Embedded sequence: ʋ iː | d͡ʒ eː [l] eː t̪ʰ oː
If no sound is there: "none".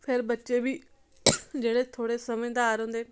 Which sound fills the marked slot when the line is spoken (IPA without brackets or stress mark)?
ɽ